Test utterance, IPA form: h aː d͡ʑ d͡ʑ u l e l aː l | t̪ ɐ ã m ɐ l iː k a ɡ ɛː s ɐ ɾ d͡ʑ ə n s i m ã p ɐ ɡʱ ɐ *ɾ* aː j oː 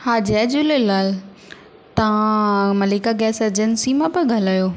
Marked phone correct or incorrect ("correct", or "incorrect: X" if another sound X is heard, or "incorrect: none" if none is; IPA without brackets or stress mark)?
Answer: incorrect: l